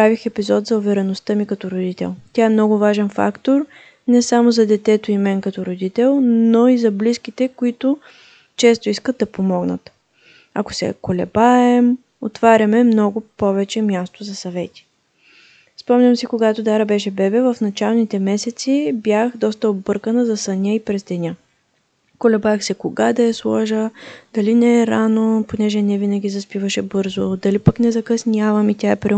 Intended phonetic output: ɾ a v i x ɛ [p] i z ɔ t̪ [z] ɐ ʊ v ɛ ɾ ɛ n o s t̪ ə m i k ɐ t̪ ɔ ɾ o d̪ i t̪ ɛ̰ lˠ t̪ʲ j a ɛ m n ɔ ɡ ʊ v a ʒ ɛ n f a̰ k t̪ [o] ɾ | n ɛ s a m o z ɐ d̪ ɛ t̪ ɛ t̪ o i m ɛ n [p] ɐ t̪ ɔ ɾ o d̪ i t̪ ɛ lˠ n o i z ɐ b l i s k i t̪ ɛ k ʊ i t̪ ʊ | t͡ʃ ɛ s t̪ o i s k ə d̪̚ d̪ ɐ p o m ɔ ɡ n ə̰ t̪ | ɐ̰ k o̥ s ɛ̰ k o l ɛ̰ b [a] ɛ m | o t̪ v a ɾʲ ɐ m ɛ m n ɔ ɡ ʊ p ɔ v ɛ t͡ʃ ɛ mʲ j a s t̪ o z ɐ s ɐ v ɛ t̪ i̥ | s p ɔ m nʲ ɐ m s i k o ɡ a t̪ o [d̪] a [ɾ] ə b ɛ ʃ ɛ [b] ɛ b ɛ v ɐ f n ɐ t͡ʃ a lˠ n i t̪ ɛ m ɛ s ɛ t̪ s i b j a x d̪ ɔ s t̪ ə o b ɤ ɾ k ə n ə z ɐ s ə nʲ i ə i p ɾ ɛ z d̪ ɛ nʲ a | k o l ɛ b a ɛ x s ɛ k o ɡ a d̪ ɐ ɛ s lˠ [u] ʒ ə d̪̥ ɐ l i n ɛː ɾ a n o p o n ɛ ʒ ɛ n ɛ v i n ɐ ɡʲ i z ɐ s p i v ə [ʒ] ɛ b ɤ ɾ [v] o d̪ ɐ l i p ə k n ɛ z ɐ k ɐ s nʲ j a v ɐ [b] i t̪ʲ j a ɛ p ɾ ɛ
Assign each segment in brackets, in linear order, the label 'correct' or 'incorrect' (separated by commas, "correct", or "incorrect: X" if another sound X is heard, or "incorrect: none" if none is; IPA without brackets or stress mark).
correct, correct, correct, incorrect: k, correct, correct, correct, correct, incorrect: ɔ, incorrect: ʃ, incorrect: z, incorrect: m